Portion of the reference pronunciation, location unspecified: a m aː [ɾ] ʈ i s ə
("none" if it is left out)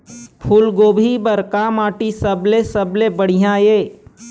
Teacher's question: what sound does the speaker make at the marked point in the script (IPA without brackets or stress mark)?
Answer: none